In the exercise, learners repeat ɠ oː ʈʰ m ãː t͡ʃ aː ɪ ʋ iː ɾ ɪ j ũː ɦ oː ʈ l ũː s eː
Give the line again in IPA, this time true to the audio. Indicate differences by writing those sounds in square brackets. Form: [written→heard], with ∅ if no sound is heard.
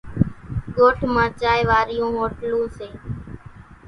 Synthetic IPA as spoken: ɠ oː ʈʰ m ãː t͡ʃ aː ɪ ʋ [iː→aː] ɾ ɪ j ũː ɦ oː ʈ l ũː s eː